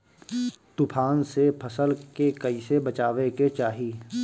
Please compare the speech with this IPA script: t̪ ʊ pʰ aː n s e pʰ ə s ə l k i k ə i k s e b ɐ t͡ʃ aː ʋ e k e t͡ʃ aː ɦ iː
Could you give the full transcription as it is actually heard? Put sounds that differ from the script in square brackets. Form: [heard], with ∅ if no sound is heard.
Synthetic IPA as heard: t̪ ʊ pʰ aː n s e pʰ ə s ə l k [e] k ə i [∅] s e b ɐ t͡ʃ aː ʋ e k e t͡ʃ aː ɦ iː